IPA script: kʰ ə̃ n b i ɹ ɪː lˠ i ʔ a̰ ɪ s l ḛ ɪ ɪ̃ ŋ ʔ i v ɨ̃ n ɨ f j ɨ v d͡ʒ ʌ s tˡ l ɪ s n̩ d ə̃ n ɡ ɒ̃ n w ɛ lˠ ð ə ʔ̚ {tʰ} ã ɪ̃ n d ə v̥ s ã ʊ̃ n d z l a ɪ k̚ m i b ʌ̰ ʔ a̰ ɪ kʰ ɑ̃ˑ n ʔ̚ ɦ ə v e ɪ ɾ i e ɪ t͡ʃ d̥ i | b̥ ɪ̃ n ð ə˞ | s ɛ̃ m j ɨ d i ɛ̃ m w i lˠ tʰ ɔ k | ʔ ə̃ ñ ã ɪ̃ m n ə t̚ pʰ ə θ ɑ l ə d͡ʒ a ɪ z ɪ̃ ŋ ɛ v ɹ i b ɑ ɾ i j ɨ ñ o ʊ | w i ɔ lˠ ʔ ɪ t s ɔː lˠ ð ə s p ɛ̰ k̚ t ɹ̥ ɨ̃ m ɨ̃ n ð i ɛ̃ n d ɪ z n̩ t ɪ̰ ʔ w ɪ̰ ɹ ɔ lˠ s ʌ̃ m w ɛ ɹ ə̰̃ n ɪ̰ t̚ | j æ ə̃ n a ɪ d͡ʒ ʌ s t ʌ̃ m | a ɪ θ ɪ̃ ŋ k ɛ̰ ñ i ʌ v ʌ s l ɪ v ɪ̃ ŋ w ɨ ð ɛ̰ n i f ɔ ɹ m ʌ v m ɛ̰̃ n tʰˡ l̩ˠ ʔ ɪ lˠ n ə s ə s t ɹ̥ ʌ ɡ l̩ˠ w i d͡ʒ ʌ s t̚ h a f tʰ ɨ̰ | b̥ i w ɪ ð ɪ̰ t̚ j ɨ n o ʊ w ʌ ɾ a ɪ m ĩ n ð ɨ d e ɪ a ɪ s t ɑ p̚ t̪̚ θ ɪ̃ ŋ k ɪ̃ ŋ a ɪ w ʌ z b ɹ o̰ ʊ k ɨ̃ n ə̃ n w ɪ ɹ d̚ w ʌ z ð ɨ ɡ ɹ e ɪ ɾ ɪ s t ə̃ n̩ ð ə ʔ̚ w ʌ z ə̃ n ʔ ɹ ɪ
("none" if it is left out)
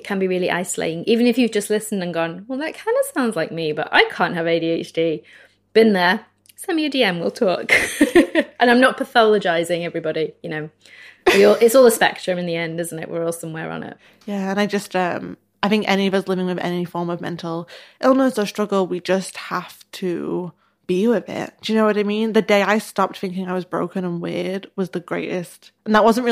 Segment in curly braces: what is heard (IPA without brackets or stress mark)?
kʰ